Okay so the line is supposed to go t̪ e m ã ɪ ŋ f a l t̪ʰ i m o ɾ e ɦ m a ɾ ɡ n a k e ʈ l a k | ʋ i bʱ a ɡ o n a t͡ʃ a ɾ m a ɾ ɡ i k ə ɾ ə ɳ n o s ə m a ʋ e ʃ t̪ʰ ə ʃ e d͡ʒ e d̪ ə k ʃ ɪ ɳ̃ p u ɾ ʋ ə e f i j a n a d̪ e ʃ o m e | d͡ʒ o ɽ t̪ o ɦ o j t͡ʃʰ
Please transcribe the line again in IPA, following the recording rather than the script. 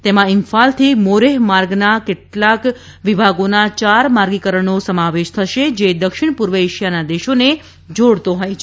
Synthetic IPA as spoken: t̪ e m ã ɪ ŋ f a l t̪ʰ i m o ɾ e ɦ m a ɾ ɡ n a k e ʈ l a k | ʋ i bʱ a ɡ o n a t͡ʃ a ɾ m a ɾ ɡ i k ə ɾ ə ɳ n o s ə m a ʋ e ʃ t̪ʰ ə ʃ e d͡ʒ e d̪ ə k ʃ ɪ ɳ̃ p u ɾ ʋ ə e ʃ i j a n a d̪ e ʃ o n e | d͡ʒ o ɽ t̪ o ɦ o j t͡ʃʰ